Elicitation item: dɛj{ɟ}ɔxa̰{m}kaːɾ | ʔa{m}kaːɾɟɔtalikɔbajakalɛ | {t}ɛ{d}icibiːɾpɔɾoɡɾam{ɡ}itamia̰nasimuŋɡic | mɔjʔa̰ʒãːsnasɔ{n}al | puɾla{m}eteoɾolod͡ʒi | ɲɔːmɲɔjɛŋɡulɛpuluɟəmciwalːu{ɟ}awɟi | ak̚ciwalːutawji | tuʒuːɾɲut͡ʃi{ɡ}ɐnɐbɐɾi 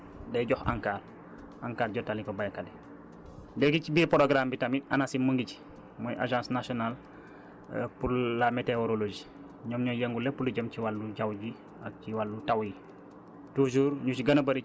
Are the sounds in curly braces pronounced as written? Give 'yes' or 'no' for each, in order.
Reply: yes, no, no, no, no, no, yes, yes, yes, yes

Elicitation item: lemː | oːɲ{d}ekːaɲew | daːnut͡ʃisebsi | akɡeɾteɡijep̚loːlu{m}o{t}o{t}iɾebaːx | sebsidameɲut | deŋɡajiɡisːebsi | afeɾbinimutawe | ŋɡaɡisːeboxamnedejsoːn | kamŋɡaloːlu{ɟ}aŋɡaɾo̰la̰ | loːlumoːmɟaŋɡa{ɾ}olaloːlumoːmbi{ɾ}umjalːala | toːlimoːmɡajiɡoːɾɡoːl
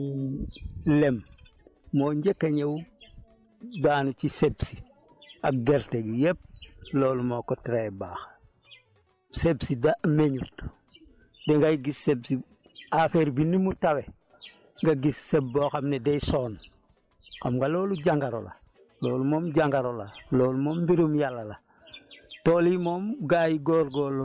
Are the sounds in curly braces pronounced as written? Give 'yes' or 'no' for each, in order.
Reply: no, yes, no, yes, yes, yes, yes

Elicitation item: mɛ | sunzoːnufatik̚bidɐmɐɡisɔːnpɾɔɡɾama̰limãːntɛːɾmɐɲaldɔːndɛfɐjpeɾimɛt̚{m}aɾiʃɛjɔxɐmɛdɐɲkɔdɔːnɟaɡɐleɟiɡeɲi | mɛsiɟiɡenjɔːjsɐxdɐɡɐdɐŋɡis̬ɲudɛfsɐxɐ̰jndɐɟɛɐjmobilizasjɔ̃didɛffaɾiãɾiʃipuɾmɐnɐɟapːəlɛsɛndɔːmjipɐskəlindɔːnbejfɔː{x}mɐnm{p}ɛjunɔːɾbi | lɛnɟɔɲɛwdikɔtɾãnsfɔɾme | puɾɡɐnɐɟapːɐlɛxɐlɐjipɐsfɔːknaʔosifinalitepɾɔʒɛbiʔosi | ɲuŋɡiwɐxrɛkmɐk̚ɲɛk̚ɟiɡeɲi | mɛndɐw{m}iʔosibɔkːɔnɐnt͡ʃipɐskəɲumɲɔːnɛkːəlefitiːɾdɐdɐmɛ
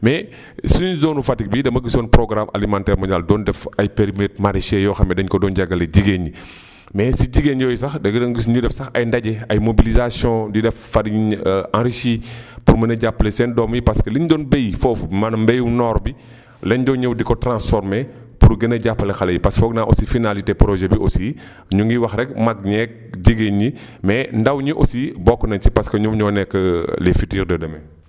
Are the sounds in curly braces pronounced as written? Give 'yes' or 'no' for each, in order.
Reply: yes, no, no, no

